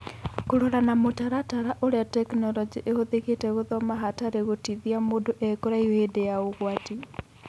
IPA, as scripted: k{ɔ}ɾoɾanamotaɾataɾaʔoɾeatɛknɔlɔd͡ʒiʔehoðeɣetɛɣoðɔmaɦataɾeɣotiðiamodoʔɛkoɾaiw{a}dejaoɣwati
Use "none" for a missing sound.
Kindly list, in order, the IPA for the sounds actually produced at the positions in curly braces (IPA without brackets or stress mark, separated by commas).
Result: o, e